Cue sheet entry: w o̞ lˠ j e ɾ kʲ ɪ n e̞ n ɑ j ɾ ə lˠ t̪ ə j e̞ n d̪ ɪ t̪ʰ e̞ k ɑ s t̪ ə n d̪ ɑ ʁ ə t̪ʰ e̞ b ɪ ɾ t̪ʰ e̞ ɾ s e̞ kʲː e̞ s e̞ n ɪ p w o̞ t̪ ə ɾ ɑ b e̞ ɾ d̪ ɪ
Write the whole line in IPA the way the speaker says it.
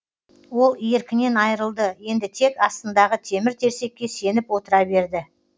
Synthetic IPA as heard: w o̞ lˠ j e ɾ kʲ ɪ n e̞ n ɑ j ɾ ə lˠ d̪ ə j e̞ n d̪ ɪ t̪ʰ e̞ k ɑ s t̪ ə n d̪ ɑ ʁ ə t̪ʰ e̞ m ɪ ɾ t̪ʰ e̞ ɾ s e̞ kʲː e̞ s e̞ n ɪ p w o̞ t̪ ə ɾ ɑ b e̞ ɾ d̪ ɪ